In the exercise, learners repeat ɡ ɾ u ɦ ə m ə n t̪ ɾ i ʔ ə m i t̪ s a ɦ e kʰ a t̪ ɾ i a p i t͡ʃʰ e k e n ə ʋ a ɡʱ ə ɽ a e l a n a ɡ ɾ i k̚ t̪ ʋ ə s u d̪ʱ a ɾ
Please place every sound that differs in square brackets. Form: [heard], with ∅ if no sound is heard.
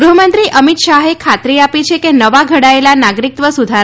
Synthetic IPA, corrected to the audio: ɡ ɾ u ɦ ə m ə n t̪ ɾ i ʔ ə m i t̪ [ʃ] a ɦ e kʰ a t̪ ɾ i a p i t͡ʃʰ e k e n ə ʋ a ɡʱ ə ɽ a e l a n a ɡ ɾ i k̚ t̪ ʋ ə s u d̪ʱ a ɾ